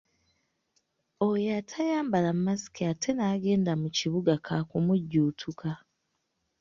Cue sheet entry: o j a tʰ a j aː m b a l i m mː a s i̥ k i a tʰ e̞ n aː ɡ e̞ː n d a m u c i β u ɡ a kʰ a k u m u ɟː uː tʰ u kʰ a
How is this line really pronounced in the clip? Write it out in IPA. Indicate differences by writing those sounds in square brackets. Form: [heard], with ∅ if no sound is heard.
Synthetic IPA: o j a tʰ a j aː m b a l [a] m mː a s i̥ k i a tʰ e̞ n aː ɡ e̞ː n d a m u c i β u ɡ a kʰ a k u m u ɟː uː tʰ u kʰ a